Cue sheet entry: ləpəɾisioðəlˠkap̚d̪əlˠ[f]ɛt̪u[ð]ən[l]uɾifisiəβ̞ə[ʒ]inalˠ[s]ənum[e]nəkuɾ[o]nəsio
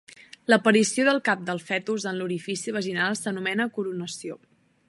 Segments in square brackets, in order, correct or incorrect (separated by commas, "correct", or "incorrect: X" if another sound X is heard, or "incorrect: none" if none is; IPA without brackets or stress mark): correct, incorrect: z, correct, correct, correct, incorrect: ɛ, incorrect: u